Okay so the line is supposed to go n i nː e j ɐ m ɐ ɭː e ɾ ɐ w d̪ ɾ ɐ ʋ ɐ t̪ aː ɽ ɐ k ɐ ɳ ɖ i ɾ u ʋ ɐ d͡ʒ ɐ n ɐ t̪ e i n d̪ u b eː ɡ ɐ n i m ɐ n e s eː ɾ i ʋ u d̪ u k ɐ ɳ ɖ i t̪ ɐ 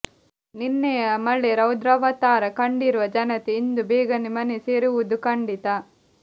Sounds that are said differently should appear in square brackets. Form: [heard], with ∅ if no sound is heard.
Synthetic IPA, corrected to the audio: n i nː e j ɐ m ɐ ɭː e ɾ ɐ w d̪ ɾ ɐ ʋ ɐ t̪ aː [ɾ] ɐ k ɐ ɳ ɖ i ɾ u ʋ ɐ d͡ʒ ɐ n ɐ t̪ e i n d̪ u b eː ɡ ɐ n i m ɐ n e s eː ɾ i ʋ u d̪ u k ɐ ɳ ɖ i t̪ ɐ